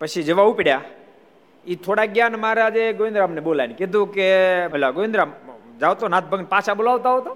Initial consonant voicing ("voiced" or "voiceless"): voiceless